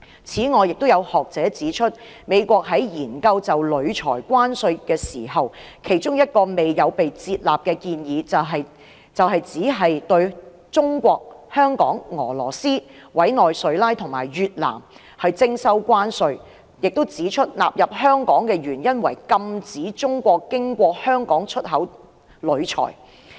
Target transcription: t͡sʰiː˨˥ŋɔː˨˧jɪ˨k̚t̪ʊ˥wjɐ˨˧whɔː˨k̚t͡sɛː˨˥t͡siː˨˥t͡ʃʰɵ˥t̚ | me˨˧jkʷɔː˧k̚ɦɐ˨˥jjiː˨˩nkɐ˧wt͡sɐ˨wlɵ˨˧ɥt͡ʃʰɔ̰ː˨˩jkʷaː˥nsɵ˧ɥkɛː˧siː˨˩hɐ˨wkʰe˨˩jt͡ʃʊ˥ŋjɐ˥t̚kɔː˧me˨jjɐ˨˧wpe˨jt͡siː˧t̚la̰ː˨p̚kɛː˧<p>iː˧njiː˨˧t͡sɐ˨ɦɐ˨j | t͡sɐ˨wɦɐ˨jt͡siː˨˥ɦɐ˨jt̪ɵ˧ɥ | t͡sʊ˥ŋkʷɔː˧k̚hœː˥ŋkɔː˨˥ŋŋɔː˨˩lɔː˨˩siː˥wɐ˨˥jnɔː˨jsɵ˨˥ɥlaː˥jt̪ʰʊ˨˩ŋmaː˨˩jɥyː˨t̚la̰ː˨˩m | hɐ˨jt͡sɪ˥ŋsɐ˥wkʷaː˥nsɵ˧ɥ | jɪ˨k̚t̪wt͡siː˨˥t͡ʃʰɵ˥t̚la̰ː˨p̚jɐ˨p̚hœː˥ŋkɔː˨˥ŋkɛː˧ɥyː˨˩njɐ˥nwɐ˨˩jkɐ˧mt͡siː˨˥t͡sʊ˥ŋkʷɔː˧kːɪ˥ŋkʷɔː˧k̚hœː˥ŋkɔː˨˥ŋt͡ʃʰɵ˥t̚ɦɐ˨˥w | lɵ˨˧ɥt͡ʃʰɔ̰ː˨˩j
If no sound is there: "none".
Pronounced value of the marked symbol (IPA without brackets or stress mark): k